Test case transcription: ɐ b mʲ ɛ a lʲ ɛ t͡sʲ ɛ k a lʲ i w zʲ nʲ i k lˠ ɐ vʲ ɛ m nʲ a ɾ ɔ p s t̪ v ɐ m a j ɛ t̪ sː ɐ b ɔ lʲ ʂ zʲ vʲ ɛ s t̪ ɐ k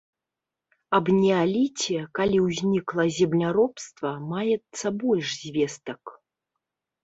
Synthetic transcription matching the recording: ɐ b nʲ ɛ a lʲ i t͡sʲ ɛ k a lʲ i w zʲ nʲ i k lˠ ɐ zʲ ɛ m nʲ a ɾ ɔ p s t̪ v ɐ m a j ɛ t̪ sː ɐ b ɔ lʲ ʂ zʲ vʲ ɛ s t̪ ɐ k

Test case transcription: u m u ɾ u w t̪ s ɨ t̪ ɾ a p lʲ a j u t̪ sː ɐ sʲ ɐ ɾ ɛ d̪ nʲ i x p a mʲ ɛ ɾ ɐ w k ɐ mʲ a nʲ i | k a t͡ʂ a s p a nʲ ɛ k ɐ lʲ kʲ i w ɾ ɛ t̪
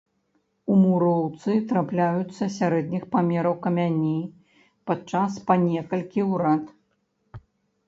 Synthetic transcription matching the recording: u m u ɾ ɔ w t̪ s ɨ t̪ ɾ a p lʲ a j u t̪ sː ɐ sʲ a ɾ ɛ d̪ nʲ i x p a mʲ ɛ ɾ ɐ w k ɐ mʲ a nʲ i | p a t͡ʂ a s p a nʲ ɛ k ɐ lʲ kʲ i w ɾ a t̪

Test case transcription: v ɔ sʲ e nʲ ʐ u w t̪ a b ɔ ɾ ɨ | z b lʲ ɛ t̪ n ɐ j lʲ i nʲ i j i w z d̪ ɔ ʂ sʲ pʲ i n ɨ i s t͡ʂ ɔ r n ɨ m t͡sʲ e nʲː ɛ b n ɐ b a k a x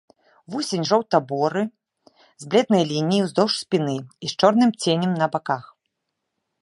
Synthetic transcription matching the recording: v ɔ sʲ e nʲ ʐ ɔ w t̪ a b ɔ ɾ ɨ | z b lʲ ɛ d̪ n ɐ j lʲ i nʲ i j i w z d̪ ɔ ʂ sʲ pʲ i n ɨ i s t͡ʂ ɔ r n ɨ m t͡sʲ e nʲ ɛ m n ɐ b a k a x

